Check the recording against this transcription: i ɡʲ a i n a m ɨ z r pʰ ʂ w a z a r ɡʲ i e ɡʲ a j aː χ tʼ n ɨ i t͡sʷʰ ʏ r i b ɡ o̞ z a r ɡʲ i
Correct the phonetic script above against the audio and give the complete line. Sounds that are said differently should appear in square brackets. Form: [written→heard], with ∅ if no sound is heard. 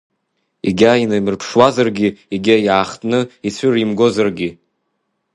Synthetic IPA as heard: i ɡʲ a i n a m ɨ [z→∅] r pʰ ʂ w a z a r ɡʲ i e ɡʲ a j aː χ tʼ n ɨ i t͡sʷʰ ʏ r i [b→m] ɡ o̞ z a r ɡʲ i